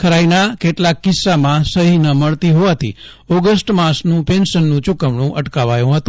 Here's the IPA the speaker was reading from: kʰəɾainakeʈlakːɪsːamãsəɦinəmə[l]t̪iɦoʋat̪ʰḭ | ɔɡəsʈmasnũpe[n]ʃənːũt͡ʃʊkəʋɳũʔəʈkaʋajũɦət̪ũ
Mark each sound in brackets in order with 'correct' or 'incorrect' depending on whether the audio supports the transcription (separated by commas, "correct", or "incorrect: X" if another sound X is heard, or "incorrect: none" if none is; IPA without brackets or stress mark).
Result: incorrect: ɭ, correct